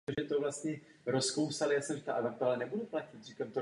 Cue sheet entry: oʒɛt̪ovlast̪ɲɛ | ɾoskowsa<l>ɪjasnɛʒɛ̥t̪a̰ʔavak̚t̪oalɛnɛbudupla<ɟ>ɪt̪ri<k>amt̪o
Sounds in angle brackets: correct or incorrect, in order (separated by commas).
correct, incorrect, correct